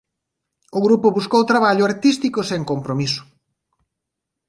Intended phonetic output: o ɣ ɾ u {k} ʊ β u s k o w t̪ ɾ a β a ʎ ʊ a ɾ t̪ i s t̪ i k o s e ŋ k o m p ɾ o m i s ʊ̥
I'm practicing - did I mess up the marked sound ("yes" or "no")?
yes